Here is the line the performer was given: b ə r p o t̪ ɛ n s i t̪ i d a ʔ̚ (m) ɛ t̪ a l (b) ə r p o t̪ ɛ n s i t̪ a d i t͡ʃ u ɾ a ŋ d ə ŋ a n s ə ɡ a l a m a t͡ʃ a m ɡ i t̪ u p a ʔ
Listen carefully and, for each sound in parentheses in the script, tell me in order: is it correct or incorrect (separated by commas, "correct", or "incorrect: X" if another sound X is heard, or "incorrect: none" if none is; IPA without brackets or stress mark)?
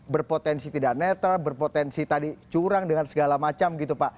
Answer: incorrect: n, correct